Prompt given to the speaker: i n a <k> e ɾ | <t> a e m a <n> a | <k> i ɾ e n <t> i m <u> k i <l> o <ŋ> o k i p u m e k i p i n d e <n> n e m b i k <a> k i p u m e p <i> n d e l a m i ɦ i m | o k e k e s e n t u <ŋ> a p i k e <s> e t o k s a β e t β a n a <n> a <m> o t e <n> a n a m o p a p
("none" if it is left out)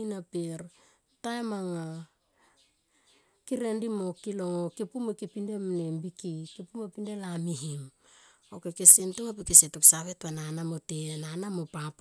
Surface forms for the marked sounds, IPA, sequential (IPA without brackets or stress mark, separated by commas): p, t, ŋ, k, d, o, l, ŋ, m, i, i, ŋ, s, n, m, n